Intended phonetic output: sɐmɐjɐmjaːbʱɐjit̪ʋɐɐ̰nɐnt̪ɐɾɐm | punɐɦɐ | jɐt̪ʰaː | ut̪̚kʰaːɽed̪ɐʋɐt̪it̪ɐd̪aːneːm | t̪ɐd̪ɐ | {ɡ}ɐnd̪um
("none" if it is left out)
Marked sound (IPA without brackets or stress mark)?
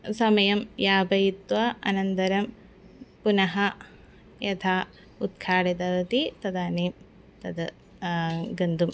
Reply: ɡ